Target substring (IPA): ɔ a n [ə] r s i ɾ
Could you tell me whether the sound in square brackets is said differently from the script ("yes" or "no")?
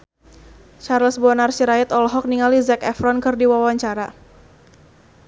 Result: yes